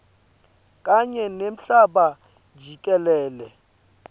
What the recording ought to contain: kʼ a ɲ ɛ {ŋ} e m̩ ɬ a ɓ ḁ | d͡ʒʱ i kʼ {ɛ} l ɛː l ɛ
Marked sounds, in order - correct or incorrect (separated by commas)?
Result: incorrect, correct